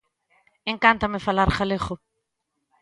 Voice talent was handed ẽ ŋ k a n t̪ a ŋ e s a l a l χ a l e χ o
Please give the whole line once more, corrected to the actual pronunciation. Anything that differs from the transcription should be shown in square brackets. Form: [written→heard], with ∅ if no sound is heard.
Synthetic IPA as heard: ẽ ŋ k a n t̪ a [ŋ→m] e [s→f] a l a [l→ɾ] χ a l e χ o

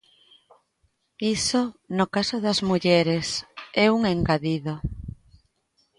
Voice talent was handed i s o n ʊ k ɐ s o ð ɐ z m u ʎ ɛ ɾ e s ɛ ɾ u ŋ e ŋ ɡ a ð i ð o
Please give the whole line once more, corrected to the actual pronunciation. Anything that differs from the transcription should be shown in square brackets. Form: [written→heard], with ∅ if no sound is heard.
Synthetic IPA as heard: i s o n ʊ k [ɐ→a] s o ð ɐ z m u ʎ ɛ ɾ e s ɛ [ɾ→∅] u ŋ e ŋ ɡ a ð i ð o

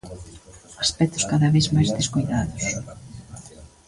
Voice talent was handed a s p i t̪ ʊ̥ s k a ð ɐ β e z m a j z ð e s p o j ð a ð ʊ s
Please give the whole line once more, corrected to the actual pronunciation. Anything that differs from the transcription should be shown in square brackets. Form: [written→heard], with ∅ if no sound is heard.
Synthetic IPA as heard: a s p [i→ɛ] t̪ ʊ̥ s k a ð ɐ β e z m a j z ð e s [p→k] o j ð a ð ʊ s

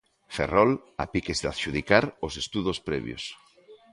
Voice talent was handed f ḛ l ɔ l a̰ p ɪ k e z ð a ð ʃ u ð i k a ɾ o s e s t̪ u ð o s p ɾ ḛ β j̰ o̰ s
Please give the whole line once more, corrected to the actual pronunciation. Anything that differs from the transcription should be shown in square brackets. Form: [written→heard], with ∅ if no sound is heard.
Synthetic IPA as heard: f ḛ [l→r] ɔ l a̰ p [ɪ→i] k e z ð a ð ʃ u ð i k a ɾ o s e s t̪ u ð o s p ɾ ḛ β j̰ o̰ s

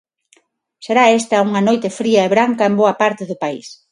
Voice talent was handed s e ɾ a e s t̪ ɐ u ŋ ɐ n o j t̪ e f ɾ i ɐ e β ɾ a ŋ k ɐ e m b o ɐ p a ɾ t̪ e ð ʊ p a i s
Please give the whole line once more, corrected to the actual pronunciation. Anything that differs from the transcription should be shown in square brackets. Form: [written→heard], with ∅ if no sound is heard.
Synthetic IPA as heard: s e ɾ a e s t̪ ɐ u ŋ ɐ n o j t̪ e f ɾ i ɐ e β ɾ a ŋ k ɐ e m b o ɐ p a ɾ t̪ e ð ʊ p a i s

